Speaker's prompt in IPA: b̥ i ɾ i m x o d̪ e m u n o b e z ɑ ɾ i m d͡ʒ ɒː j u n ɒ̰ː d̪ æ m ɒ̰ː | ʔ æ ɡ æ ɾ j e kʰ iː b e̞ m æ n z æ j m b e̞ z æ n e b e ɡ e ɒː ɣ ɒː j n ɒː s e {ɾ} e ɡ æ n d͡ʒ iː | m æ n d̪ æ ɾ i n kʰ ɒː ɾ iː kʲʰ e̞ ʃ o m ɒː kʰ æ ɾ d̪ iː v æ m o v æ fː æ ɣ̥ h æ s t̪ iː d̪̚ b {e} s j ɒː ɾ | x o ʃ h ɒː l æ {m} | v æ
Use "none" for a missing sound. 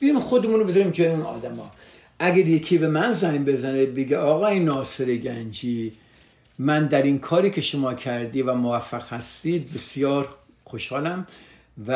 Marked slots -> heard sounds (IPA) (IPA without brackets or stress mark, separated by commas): ɾ, e, m